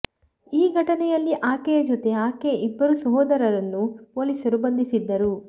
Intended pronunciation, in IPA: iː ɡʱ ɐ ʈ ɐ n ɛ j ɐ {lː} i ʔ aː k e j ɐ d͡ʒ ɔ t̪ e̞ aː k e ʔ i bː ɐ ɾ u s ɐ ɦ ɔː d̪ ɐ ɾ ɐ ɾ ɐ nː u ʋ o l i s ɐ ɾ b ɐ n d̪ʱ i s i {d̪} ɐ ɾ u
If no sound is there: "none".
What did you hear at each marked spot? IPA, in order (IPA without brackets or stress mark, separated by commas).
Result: lː, d̪ː